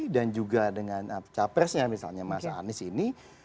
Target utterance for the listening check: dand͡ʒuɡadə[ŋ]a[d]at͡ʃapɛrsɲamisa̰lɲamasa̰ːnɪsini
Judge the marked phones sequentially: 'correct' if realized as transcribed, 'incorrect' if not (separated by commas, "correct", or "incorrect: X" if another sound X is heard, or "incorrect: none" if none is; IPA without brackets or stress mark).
correct, incorrect: n